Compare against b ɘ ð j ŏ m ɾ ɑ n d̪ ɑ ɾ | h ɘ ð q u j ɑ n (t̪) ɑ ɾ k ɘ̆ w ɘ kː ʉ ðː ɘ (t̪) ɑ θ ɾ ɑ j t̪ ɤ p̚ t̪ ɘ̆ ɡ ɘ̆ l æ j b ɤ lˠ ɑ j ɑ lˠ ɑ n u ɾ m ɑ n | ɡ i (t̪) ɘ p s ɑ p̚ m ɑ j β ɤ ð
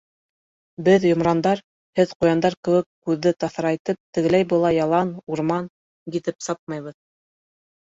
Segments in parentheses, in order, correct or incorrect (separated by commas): incorrect, correct, correct